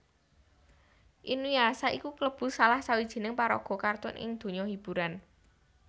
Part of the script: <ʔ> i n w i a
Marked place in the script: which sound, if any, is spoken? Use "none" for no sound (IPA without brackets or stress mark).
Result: ʔ